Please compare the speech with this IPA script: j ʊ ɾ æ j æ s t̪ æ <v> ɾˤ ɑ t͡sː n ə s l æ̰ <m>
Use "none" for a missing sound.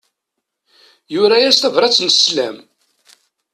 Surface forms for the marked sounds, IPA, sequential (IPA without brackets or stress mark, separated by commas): v, m